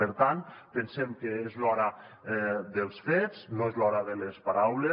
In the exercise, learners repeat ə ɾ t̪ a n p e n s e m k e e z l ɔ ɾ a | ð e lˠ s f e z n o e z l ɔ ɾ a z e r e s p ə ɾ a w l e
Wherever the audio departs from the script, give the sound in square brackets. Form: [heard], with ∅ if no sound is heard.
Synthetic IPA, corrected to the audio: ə ɾ t̪ a n p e n s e m k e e z l ɔ ɾ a | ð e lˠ s f e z n o e z l ɔ ɾ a [ð] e [l] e s p [a] ɾ a w l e